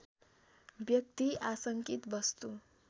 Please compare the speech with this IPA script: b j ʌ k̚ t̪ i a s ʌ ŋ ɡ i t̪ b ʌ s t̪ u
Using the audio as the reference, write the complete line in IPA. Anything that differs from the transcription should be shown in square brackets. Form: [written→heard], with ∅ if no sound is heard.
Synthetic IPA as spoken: b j ʌ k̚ t̪ i a s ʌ ŋ [ɡ→k] i t̪ b ʌ s t̪ u